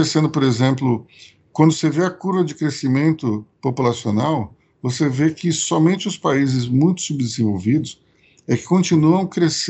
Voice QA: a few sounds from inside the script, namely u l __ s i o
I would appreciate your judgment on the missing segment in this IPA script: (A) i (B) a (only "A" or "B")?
B